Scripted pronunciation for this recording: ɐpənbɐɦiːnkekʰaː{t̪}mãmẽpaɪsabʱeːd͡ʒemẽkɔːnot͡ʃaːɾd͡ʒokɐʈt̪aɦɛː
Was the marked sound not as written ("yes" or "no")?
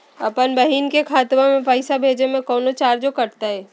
no